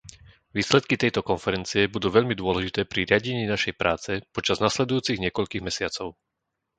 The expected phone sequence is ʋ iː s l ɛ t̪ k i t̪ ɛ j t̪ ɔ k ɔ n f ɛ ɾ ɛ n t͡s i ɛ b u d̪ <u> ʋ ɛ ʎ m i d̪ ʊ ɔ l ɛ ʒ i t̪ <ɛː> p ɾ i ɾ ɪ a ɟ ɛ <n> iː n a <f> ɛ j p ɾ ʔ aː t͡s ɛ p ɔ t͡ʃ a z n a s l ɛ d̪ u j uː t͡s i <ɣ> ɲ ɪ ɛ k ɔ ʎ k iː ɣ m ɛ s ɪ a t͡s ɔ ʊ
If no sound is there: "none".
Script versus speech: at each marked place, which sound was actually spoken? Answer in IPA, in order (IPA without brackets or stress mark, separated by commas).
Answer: uː, ɛː, ɲ, ʃ, ɣ